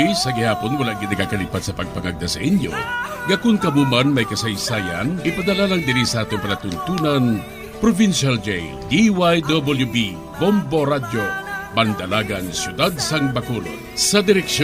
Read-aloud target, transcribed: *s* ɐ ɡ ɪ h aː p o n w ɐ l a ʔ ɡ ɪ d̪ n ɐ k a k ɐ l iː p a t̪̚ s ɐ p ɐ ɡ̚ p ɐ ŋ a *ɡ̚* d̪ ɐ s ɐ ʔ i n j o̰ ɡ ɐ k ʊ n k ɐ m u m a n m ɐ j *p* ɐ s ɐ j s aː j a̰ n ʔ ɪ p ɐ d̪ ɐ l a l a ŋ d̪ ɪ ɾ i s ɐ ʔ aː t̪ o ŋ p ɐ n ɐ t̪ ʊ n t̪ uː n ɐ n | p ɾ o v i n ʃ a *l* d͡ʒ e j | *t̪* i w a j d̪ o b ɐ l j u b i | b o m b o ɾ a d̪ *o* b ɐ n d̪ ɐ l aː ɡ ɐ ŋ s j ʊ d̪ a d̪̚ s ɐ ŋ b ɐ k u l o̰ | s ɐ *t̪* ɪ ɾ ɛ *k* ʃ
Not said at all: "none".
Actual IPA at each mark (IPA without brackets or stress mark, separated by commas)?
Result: s, ɡ̚, k, l, d̪, o, d̪, k